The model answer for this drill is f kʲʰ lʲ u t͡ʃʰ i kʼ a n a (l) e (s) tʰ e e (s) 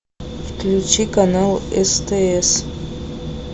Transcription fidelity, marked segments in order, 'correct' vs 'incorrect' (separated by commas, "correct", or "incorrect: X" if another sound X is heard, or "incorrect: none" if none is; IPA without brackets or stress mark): correct, correct, correct